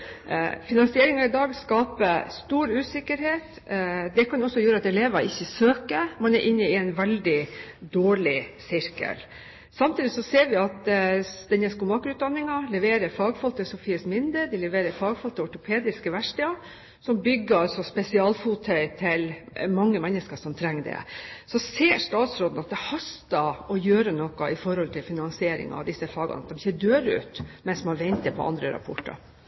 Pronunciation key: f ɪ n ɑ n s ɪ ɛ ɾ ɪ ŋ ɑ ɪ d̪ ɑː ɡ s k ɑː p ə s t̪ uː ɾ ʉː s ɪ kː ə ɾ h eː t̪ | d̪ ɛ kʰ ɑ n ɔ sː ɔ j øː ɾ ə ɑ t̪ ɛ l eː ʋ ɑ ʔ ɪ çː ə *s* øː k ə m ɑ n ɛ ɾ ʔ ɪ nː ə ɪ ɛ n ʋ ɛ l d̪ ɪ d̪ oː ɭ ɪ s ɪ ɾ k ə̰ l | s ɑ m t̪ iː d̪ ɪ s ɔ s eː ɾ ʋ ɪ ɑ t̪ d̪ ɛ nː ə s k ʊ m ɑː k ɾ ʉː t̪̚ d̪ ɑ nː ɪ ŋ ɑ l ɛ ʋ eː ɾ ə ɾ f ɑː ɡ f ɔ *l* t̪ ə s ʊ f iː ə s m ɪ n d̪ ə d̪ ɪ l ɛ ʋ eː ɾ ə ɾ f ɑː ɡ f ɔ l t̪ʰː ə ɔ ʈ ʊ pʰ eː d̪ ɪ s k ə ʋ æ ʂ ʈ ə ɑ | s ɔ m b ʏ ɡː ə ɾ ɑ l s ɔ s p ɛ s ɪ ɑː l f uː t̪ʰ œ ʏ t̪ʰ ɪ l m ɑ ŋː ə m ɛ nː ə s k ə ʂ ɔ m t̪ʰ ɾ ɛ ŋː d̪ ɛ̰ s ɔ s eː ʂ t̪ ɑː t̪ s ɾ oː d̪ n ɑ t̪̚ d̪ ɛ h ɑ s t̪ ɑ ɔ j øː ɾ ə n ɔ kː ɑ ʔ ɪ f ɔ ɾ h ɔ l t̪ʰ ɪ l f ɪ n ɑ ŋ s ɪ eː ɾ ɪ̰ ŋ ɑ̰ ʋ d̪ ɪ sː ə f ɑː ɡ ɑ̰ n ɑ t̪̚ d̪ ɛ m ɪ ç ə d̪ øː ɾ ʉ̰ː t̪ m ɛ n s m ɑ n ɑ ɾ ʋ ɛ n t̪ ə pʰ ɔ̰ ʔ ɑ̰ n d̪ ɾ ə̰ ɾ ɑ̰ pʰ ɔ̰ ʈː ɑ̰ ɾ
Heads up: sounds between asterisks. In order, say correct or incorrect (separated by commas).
correct, correct